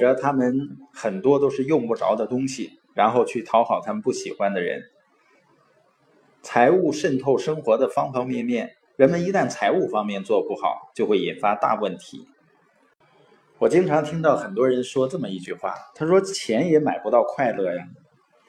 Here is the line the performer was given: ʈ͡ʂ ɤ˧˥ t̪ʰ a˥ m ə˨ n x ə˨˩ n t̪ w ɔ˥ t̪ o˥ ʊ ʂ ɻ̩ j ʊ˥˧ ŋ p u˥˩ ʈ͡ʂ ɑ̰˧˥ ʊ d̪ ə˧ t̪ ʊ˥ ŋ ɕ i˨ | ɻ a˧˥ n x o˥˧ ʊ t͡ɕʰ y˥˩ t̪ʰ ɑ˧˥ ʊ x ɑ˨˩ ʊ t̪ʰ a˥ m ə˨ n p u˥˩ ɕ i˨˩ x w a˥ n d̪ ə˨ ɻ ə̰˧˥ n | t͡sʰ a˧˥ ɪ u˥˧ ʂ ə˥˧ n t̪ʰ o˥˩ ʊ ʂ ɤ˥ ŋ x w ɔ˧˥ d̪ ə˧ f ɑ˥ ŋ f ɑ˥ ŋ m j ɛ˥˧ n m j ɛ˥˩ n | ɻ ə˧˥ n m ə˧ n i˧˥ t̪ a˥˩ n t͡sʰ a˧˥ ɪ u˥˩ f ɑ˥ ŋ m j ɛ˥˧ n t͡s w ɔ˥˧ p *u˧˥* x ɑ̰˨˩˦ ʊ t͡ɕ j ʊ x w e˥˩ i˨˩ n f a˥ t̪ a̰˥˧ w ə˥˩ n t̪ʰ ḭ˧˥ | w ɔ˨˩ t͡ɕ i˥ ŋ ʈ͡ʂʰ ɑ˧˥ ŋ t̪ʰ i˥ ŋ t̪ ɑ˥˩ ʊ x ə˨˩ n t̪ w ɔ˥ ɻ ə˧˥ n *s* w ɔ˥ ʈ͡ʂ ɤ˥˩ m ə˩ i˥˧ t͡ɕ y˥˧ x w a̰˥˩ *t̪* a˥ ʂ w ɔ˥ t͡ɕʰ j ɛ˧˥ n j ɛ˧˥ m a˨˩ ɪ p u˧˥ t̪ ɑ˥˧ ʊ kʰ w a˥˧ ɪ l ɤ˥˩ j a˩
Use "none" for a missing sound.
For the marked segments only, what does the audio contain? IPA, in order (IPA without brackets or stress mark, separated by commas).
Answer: u˥˩, ʂ, t̪ʰ